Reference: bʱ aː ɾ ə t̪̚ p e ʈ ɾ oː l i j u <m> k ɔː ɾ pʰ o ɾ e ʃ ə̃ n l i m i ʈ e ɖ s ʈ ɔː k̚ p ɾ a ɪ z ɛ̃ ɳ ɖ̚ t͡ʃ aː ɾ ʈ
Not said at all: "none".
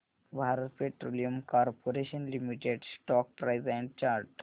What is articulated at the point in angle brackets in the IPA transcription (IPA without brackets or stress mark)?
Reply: m